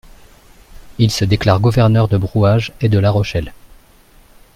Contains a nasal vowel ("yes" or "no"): no